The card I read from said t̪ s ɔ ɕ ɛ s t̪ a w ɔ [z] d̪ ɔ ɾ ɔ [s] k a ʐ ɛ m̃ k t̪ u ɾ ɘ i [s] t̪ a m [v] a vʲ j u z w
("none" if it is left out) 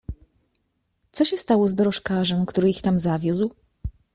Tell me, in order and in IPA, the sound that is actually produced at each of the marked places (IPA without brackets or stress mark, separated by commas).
z, ʂ, x, z